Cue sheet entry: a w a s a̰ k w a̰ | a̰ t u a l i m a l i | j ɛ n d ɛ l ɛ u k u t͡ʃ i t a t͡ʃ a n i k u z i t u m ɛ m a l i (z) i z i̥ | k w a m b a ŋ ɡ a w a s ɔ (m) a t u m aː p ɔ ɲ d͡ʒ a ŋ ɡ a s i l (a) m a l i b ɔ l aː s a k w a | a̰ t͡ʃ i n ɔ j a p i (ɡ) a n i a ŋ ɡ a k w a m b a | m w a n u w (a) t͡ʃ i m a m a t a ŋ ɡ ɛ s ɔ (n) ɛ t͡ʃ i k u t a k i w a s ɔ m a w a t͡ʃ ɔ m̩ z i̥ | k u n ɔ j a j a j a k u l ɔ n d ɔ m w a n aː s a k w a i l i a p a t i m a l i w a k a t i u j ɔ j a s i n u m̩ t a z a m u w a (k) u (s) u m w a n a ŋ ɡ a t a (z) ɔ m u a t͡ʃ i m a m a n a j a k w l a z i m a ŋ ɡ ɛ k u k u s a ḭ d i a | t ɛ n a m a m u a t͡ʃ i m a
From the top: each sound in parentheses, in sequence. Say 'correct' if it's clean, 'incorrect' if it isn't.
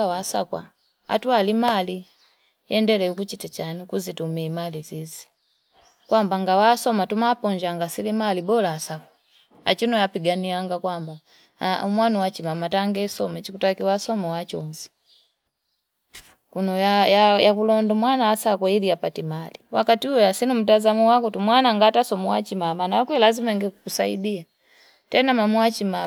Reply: correct, correct, incorrect: i, correct, correct, incorrect: m, correct, incorrect: t, incorrect: s

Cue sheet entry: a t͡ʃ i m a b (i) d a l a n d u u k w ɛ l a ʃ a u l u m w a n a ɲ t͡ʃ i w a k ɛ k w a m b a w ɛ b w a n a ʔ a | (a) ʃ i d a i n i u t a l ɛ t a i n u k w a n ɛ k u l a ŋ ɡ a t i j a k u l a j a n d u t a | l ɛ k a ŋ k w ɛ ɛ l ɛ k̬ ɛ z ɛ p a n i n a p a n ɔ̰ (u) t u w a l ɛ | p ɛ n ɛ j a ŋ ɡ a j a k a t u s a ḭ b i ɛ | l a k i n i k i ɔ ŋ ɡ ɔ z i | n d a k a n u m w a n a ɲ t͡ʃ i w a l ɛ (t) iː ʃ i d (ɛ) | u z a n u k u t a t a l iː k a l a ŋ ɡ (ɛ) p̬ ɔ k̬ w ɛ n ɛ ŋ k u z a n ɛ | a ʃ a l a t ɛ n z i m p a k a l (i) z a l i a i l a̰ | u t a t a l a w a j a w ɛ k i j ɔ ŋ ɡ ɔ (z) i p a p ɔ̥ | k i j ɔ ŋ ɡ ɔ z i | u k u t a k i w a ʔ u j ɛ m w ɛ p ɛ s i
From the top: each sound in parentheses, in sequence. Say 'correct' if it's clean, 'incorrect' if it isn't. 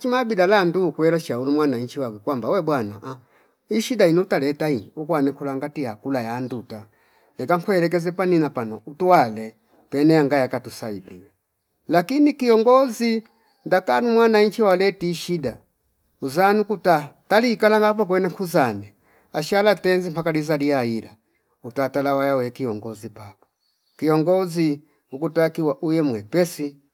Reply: correct, incorrect: i, correct, correct, incorrect: a, incorrect: a, correct, correct

